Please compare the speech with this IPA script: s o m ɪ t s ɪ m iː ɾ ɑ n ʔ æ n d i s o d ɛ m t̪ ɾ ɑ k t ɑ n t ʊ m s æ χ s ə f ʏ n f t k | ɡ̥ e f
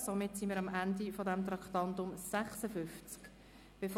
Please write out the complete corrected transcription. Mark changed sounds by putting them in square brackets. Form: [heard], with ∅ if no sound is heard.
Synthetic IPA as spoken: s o m ɪ t s [i] m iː ɾ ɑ [m] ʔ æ n d i [f] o d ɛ m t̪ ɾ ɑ k t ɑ n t ʊ m s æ χ s ə f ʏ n f [t͡s] k | [b̥] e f